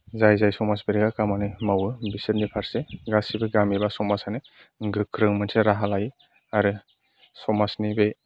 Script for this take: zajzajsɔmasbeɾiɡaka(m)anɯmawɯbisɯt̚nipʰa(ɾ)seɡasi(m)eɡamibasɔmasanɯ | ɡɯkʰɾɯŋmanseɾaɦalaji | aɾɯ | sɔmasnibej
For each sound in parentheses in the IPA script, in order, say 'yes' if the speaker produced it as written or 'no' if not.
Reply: yes, yes, no

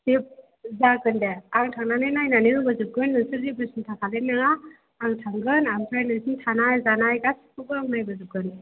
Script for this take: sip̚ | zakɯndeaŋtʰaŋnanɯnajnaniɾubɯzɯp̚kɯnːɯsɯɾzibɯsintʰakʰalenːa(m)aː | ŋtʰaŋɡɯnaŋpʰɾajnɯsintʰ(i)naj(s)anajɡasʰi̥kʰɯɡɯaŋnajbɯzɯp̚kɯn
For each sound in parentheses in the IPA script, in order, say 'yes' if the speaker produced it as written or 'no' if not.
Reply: no, no, no

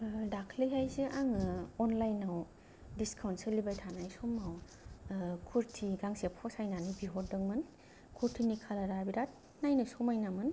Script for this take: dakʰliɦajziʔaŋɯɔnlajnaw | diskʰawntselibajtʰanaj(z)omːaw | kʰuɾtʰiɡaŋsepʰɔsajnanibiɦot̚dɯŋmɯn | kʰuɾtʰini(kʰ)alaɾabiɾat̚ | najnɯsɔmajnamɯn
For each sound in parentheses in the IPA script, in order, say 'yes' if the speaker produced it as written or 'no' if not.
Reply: no, yes

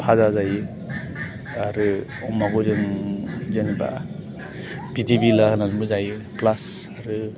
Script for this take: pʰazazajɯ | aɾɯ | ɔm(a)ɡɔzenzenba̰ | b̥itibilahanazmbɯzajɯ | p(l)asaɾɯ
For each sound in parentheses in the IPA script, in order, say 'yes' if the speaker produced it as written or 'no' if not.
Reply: yes, yes

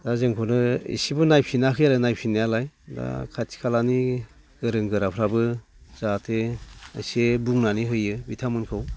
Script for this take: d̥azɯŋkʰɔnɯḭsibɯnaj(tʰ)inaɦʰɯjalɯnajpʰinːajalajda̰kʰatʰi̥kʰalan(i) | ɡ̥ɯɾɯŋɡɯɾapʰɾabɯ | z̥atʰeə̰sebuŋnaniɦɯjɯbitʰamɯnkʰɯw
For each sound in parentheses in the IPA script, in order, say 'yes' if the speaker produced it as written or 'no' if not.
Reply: no, yes

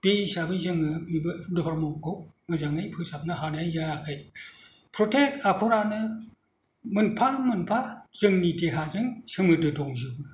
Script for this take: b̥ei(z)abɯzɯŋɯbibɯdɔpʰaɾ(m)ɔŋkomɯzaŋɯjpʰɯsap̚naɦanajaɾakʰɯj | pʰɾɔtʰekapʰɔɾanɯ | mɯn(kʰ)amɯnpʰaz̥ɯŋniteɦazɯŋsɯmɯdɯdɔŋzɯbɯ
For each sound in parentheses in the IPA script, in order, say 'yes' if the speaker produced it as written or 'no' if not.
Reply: no, yes, no

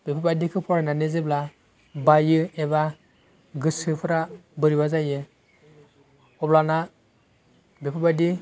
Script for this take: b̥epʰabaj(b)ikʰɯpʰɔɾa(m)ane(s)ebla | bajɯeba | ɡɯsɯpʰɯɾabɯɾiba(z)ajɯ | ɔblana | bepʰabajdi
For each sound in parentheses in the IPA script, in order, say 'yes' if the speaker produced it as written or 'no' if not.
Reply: no, no, no, yes

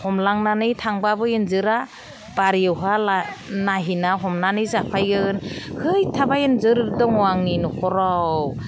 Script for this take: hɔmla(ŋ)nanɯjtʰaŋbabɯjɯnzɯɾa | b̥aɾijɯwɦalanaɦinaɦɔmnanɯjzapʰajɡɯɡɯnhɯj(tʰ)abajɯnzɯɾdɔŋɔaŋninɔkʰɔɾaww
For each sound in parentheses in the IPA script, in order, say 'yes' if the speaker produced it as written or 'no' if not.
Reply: yes, yes

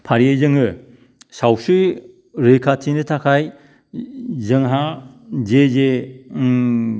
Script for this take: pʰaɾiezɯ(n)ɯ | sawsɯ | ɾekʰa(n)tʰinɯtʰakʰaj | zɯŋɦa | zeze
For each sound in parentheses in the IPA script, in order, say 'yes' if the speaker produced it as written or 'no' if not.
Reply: no, no

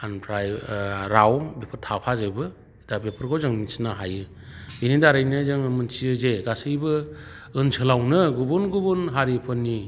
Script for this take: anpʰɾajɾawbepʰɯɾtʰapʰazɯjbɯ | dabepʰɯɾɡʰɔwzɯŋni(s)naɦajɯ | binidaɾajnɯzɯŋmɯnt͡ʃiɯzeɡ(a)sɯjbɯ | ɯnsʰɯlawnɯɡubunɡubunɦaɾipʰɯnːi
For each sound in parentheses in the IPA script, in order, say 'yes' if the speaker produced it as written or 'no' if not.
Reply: yes, yes

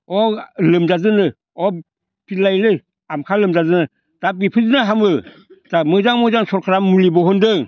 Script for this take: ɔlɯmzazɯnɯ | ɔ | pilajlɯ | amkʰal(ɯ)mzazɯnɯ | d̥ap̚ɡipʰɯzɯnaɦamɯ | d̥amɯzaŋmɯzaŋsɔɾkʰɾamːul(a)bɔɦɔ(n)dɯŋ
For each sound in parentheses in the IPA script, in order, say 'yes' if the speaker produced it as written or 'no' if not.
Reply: yes, no, yes

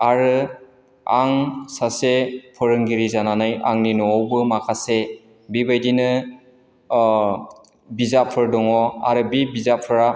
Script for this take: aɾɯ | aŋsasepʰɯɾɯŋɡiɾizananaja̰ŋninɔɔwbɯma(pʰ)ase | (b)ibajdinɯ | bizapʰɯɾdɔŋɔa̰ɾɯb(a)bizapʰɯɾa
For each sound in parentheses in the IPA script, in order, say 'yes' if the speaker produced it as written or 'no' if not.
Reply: no, yes, no

